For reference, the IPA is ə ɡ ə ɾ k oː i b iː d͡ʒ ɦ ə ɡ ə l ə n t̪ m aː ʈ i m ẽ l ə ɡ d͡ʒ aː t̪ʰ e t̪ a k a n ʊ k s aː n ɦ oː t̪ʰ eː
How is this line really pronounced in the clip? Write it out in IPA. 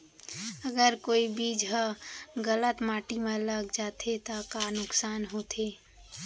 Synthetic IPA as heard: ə ɡ ə ɾ k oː i b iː d͡ʒ ɦ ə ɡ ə l ə t̪ m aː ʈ i m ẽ l ə ɡ d͡ʒ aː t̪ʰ e t̪ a k a n ʊ k s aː n ɦ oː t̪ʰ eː